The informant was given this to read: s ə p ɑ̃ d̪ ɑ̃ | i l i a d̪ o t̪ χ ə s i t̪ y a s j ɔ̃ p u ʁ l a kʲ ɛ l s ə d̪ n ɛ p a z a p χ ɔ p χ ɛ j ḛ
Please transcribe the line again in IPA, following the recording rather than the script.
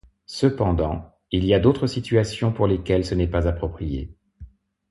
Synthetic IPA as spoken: s ə p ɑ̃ d̪ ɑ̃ | i l i a d̪ o t̪ χ ə s i t̪ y a s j ɔ̃ p u ʁ l e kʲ ɛ l s ə n ɛ p a z a p χ ɔ p χ i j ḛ